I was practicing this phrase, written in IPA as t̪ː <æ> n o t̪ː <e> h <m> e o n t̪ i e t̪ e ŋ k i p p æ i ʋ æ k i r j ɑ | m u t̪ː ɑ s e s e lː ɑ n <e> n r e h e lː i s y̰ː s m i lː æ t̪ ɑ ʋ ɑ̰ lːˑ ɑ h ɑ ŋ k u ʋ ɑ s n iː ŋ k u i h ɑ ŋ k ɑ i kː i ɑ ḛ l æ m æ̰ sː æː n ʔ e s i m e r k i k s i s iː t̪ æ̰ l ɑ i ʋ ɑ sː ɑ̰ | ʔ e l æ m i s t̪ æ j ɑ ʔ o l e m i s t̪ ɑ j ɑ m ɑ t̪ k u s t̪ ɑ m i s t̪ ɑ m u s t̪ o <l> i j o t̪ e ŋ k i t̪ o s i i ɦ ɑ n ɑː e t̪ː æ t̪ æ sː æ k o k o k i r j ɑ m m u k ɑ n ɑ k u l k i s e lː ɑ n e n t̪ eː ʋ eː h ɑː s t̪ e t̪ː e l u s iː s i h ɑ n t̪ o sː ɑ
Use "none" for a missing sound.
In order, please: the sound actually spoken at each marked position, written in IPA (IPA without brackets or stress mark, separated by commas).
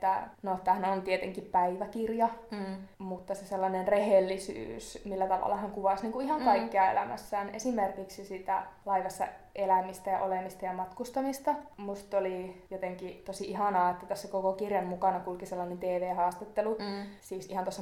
æ, æ, n, e, l